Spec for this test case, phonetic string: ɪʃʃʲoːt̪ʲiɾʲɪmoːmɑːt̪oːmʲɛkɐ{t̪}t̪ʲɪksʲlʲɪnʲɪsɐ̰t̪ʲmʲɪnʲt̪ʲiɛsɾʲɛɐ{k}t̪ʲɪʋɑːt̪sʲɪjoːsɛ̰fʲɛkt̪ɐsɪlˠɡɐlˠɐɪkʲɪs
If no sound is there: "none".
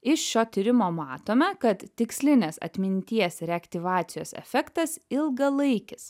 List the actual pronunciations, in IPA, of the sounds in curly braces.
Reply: t̪, k

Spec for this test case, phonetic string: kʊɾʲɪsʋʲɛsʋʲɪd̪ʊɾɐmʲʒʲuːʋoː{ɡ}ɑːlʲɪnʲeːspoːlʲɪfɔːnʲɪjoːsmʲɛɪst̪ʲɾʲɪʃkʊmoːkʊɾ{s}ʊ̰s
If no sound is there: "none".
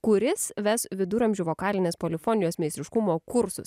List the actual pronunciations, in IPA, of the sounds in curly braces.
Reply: k, s

